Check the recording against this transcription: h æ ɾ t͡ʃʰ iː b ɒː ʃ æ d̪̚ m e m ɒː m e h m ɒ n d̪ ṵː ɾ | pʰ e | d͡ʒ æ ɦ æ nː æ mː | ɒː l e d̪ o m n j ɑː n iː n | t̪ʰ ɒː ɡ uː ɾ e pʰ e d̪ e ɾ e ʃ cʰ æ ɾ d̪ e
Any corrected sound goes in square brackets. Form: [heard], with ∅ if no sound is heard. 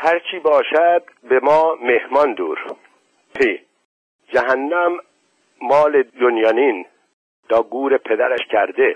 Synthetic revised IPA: h æ ɾ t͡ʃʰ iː b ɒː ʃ æ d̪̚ [b] e m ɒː m e h m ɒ n d̪ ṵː ɾ | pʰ e | d͡ʒ æ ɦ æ nː æ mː | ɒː l e d̪ o [∅] n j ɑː n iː n | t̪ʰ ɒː ɡ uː ɾ e pʰ e d̪ [æ] ɾ [æ] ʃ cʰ æ ɾ d̪ e